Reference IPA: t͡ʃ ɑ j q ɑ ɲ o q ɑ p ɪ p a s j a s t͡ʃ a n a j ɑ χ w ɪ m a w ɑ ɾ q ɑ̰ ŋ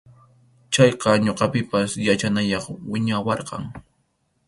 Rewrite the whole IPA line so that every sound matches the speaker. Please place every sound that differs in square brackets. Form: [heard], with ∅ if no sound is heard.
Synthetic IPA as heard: t͡ʃ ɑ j q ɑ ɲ o q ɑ p ɪ p a s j a [∅] t͡ʃ a n a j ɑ χ w ɪ [ɲ] a w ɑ ɾ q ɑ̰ ŋ